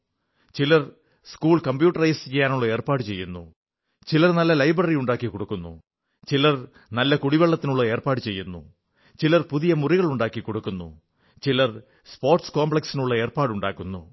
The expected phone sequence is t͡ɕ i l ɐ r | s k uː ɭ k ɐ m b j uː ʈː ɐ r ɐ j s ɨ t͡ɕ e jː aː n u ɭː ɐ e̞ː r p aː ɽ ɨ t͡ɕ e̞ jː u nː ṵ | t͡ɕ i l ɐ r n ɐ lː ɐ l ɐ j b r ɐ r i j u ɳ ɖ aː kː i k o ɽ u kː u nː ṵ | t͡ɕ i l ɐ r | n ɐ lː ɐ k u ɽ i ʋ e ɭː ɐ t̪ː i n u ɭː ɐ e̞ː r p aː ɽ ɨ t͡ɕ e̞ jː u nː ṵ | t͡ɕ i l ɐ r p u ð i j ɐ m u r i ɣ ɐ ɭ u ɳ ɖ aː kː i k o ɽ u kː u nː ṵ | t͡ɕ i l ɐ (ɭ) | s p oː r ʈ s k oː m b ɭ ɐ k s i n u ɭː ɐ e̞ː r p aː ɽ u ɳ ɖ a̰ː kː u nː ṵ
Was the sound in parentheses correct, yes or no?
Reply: no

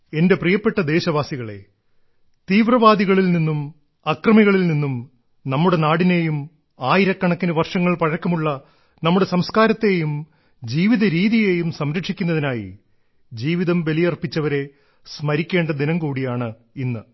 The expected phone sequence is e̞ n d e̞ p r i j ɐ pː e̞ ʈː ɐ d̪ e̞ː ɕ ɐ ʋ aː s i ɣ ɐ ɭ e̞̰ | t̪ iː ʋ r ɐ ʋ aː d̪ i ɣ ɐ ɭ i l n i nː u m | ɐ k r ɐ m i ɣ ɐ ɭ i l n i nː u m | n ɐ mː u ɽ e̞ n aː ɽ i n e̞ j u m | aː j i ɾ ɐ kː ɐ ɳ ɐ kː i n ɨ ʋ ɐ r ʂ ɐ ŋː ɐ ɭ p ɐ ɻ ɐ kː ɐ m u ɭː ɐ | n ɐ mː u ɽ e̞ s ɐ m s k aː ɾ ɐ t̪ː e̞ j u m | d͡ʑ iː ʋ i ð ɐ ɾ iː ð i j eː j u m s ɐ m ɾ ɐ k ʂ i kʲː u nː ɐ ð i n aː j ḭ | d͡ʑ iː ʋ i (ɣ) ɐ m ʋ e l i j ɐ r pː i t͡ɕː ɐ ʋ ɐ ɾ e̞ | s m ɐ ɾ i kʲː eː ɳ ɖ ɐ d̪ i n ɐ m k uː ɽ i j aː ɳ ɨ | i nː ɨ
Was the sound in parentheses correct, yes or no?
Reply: no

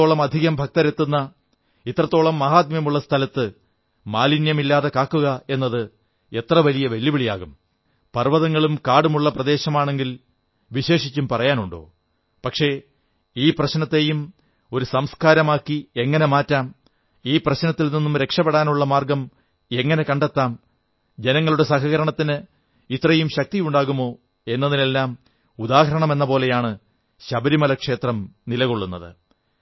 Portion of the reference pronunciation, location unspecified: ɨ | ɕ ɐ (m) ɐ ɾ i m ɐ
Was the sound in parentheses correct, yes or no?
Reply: no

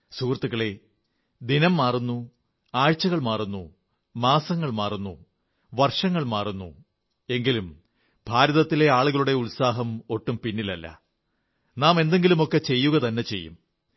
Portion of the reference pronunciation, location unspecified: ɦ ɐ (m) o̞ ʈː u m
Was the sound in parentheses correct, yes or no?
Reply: yes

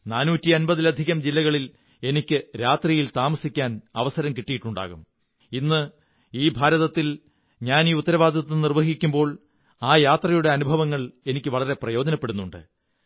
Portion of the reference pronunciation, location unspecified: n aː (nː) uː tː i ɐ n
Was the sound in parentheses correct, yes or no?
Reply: no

